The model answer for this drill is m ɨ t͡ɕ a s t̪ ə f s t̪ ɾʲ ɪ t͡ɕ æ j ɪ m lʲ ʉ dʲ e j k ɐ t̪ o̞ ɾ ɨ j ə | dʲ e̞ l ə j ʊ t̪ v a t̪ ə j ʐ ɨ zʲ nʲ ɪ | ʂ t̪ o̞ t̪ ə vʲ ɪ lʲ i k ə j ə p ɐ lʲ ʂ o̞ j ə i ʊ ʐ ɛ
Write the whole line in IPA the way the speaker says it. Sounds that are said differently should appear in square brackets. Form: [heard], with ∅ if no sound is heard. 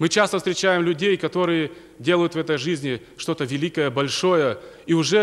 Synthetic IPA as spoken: m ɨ t͡ɕ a s t̪ ə f s t̪ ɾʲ ɪ t͡ɕ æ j ɪ m lʲ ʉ dʲ e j k ɐ t̪ o̞ ɾ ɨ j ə | dʲ e̞ l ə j ʊ t̪ v [ɛ] t̪ ə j ʐ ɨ zʲ nʲ ɪ | ʂ t̪ o̞ t̪ ə vʲ ɪ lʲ i k ə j ə [b] ɐ lʲ ʂ o̞ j ə i ʊ ʐ ɛ